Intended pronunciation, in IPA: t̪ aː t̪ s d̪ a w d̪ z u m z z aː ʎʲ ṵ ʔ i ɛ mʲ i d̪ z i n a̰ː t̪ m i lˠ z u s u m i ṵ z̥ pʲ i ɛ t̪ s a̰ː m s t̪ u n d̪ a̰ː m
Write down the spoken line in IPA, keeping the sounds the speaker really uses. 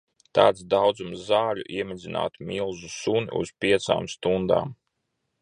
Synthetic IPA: t̪ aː t̪ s d̪ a w d̪ z u m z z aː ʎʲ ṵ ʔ i ɛ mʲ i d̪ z i n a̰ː t̪ m i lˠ z u s u n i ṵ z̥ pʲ i ɛ t̪ s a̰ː m s t̪ u n d̪ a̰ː m

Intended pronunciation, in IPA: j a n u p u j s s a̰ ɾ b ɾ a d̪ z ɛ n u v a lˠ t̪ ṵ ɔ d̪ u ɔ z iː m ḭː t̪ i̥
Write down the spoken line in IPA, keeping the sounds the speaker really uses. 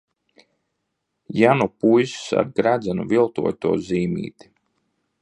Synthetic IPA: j a n u p u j s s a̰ ɾ ɡ ɾ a d̪ z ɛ n u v i lˠ t̪ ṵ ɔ t̪ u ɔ z iː m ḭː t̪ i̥

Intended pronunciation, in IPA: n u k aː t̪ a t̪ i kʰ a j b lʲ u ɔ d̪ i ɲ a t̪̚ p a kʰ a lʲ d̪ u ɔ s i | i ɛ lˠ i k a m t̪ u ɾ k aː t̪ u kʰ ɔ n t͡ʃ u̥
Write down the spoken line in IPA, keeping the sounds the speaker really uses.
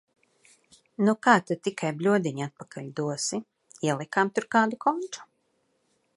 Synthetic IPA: n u k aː t̪ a t̪ i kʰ a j b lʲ u ɔ d̪ i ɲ a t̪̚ p a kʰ a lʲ d̪ u ɔ s i | i ɛ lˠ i k a m t̪ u ɾ k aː d̪ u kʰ ɔ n t͡ʃ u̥

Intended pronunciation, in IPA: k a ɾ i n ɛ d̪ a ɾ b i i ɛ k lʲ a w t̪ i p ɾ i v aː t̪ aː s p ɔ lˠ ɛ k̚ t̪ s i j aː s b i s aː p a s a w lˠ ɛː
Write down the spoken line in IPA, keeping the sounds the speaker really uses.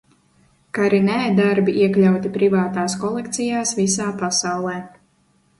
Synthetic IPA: k a ɾ i n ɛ d̪ a ɾ b i i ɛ k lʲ a w t̪ i p ɾ i v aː t̪ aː s k ɔ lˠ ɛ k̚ t̪ s i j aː s v i s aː p a s a w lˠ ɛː

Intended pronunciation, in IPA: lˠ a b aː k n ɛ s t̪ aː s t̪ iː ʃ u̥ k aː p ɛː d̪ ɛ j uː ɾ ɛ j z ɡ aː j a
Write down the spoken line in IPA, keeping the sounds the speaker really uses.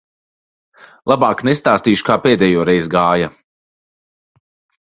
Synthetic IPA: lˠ a b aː k n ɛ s t̪ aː s t̪ iː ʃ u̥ k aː p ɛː d̪ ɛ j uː ɾ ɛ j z ɡ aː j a

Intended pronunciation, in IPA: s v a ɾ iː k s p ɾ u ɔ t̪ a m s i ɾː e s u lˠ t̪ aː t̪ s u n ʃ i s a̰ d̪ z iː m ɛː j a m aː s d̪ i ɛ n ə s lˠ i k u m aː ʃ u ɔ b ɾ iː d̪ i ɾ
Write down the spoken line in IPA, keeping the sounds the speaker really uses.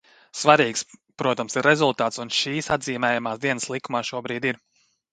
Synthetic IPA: s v a ɾ iː k s p ɾ u ɔ t̪ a m s i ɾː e z u lˠ t̪ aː t̪ s u n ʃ iː s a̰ d̪ z iː m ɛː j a m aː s d̪ i ɛ n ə s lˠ i k u m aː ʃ u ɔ b ɾ iː d̪ i ɾ

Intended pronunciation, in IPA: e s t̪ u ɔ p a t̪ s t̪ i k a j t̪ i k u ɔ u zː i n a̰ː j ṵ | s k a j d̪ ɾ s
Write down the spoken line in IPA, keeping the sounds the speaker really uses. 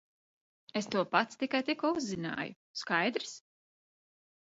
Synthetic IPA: e s t̪ u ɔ p a t̪ s t̪ i k a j t̪ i k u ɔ u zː i n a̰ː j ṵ | s k a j d̪ ɾ s

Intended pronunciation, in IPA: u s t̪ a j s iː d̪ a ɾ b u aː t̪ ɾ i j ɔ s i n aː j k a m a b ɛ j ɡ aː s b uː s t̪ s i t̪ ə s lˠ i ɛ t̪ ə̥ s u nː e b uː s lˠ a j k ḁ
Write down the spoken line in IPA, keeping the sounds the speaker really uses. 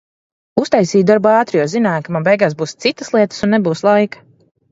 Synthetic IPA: u s t̪ a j s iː d̪ a ɾ b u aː t̪ ɾ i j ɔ z i n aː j k a m a b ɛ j ɡ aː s b uː s t̪ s i t̪ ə s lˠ i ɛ t̪ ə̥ s u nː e b uː s lˠ a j k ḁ

